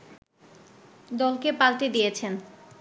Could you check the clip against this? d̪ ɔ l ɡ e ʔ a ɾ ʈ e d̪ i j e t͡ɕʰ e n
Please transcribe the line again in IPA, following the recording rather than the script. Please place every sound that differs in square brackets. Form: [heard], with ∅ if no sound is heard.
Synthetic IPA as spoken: d̪ ɔ l [k] e [p] a [l] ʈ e d̪ i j e t͡ɕʰ e n